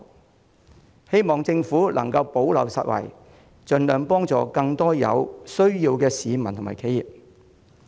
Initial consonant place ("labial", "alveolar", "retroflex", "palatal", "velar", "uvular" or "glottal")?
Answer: glottal